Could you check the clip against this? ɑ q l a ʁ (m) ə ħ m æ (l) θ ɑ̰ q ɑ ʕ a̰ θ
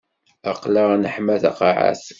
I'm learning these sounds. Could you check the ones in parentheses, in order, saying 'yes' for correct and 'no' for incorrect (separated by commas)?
no, no